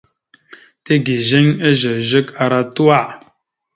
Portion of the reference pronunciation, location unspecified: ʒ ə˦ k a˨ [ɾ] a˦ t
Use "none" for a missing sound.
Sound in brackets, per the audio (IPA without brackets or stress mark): ɾ